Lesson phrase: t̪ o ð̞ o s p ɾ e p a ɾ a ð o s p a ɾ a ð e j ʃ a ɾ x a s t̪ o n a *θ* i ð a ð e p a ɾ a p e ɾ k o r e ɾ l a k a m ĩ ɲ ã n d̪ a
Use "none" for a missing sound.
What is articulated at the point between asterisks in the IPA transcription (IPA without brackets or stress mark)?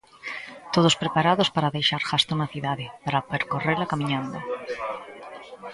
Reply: θ